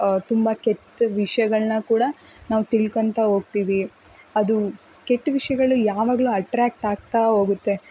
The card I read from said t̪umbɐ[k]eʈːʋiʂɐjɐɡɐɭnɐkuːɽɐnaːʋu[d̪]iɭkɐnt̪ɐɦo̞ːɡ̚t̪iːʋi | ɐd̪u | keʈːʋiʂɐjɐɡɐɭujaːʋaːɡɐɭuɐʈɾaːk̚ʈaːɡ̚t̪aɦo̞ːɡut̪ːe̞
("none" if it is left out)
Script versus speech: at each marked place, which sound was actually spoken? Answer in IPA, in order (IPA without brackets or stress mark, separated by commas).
k, t̪